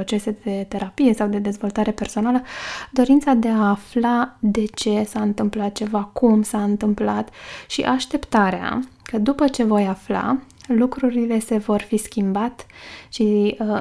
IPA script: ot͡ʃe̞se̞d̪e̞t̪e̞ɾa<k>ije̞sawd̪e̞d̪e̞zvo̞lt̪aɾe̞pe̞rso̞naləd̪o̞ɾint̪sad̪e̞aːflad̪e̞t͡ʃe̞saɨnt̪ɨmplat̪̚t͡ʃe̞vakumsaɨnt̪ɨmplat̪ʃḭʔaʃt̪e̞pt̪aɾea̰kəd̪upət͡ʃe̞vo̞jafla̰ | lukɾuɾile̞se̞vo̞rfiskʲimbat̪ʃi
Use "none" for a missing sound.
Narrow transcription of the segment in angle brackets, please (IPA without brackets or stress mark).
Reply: p